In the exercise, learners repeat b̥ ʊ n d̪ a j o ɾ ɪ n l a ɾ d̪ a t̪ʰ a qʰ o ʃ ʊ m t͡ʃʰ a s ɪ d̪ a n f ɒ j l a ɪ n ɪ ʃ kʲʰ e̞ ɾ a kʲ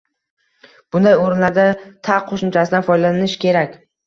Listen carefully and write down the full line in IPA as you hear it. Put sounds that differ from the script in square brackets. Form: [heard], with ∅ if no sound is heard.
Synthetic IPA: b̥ ʊ n d̪ a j o ɾ ɪ n l a ɾ d̪ a t̪ʰ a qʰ o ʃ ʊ m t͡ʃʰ a s ɪ d̪ a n f ɒ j l a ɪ n ɪ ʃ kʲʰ e̞ ɾ a kʲ